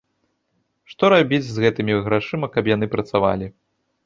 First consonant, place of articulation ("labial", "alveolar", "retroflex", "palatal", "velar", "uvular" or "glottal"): retroflex